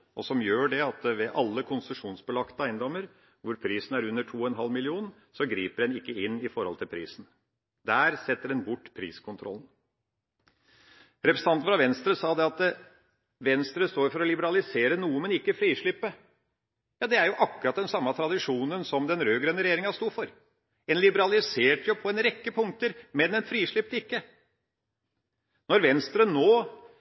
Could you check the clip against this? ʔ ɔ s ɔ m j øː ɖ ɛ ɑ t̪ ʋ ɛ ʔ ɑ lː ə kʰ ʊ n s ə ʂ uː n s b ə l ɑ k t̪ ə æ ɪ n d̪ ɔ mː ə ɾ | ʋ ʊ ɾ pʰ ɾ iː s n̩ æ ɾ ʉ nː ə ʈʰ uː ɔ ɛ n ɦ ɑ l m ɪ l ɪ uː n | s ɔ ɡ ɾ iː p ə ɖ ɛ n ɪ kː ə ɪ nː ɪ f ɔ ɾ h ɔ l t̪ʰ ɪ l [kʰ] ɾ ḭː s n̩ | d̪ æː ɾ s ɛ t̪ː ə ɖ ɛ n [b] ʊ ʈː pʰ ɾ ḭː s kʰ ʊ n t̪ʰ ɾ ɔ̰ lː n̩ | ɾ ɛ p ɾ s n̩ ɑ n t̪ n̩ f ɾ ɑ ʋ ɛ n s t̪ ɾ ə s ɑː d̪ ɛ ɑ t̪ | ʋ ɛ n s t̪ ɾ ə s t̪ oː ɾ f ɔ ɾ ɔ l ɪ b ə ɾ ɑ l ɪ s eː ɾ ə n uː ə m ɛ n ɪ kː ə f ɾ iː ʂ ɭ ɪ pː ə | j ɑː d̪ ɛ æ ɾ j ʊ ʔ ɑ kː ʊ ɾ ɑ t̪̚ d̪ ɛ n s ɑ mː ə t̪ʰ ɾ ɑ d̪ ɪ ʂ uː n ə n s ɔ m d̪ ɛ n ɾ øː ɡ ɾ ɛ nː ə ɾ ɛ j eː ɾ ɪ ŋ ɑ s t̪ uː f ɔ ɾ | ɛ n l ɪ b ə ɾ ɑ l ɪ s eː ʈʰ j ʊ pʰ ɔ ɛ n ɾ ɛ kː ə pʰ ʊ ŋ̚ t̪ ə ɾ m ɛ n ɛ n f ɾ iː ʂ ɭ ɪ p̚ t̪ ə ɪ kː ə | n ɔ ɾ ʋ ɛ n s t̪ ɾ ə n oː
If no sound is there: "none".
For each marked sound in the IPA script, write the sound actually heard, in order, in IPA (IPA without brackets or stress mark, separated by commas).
pʰ, b